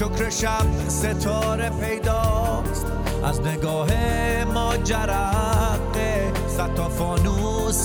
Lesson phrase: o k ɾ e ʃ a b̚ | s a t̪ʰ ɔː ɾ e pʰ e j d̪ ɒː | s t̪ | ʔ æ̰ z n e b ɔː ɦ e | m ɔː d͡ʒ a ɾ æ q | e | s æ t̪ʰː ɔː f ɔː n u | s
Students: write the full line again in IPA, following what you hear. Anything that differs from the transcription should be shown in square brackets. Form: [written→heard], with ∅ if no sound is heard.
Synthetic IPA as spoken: o k ɾ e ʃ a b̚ | s [a→e] t̪ʰ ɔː ɾ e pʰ e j d̪ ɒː | s t̪ | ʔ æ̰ z n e [b→ɡ] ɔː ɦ e | m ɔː d͡ʒ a ɾ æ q | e | s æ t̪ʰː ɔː f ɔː n u | s